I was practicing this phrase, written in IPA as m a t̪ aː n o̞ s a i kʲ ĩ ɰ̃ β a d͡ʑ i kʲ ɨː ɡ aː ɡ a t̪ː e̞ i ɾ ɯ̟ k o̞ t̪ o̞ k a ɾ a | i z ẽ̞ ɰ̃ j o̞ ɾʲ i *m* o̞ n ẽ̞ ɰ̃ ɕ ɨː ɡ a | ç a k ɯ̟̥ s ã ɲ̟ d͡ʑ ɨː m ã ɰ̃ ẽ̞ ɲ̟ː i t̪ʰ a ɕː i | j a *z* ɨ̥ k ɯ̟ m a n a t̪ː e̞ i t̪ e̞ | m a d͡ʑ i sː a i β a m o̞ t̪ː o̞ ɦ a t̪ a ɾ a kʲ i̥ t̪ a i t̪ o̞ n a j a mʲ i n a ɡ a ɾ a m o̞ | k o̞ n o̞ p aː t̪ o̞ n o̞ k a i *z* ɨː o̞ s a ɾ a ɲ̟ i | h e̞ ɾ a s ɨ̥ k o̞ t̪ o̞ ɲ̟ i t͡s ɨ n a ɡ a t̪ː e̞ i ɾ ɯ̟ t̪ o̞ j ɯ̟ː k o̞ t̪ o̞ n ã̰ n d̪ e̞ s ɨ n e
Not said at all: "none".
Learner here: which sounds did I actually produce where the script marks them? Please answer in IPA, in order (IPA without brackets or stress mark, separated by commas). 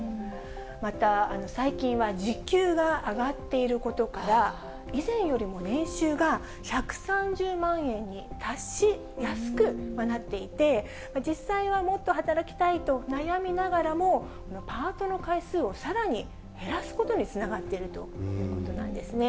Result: m, s, s